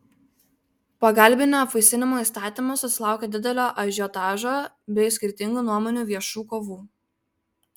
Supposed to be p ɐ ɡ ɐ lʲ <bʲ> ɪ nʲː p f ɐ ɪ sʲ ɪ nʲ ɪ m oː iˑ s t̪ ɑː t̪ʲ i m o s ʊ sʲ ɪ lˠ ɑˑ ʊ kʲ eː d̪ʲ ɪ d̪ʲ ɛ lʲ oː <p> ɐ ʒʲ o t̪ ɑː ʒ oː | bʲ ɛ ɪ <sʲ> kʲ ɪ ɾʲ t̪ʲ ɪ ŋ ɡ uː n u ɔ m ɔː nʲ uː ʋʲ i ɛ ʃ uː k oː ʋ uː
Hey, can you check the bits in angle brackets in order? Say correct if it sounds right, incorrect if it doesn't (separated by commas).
correct, incorrect, correct